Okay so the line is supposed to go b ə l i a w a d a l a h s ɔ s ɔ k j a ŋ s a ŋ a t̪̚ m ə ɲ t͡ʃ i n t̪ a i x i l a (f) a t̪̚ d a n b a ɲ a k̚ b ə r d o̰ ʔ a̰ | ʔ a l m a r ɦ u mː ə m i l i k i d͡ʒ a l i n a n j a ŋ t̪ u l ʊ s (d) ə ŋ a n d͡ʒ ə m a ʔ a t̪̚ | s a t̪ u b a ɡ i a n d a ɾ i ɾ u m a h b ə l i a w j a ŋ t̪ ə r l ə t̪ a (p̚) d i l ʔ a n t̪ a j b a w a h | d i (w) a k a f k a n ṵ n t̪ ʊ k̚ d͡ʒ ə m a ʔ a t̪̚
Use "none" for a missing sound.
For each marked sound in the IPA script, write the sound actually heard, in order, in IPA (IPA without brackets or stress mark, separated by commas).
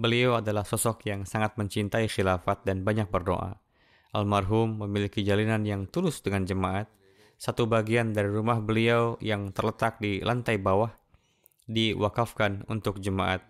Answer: f, d, k̚, w